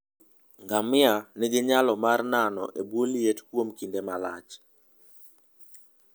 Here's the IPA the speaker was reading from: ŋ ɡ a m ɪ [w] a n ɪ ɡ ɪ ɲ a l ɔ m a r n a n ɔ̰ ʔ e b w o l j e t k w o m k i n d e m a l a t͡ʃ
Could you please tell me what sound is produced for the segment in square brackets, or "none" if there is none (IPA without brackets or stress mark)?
none